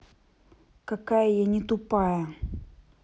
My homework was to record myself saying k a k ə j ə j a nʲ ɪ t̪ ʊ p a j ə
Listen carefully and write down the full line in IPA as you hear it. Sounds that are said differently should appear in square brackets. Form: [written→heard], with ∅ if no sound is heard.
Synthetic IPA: k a k [ə→a] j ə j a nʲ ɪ t̪ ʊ p a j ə